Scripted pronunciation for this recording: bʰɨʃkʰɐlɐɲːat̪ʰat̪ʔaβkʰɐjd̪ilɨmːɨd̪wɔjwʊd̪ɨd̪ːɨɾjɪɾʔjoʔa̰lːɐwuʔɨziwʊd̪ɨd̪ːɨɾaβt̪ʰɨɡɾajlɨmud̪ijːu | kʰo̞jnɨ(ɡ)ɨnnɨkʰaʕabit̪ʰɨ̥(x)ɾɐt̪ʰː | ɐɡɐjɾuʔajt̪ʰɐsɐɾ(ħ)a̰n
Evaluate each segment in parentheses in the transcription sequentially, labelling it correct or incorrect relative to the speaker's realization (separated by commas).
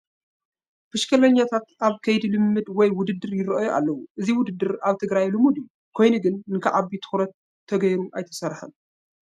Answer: correct, correct, correct